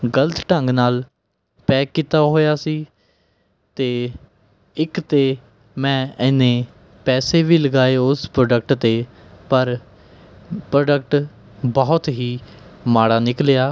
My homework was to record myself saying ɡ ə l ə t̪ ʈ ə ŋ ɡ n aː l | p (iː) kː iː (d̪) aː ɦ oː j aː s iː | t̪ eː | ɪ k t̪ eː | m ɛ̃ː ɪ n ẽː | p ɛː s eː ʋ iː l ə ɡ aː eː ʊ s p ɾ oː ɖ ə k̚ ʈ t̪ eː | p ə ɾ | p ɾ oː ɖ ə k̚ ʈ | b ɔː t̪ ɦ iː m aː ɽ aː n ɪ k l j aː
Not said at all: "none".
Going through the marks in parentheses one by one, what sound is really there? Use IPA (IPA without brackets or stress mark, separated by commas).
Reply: ɛː, t̪